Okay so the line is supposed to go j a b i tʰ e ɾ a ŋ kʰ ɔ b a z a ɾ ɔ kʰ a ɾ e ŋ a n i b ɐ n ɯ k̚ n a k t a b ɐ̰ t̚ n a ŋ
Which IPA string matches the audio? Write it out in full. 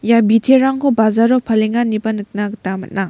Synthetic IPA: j a b i tʰ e ɾ a ŋ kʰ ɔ b a z a ɾ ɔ pʰ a l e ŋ a n i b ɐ n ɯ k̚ n a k t a m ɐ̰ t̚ n a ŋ